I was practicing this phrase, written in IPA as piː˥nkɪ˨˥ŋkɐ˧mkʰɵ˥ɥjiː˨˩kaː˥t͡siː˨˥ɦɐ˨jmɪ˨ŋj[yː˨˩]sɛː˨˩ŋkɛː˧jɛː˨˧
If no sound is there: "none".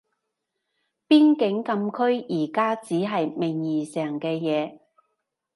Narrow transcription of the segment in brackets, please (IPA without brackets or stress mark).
iː˨˩